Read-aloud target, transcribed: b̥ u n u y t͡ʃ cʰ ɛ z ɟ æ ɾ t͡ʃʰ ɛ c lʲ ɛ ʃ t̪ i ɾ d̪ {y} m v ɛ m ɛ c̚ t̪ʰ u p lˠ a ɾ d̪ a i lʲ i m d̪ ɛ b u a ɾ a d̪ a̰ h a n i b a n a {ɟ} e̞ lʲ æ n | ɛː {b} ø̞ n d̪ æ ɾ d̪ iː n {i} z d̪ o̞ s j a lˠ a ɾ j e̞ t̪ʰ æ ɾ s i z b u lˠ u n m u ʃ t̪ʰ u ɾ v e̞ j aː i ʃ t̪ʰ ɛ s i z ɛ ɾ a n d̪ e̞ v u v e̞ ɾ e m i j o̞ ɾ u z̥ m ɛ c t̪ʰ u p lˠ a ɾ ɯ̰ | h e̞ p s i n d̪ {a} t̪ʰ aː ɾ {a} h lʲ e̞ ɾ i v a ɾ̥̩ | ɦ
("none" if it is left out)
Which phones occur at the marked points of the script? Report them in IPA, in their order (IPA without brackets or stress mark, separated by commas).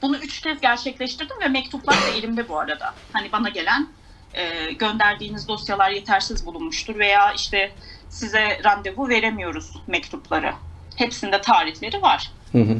i, ɟ, ɟ, i, ɛ, i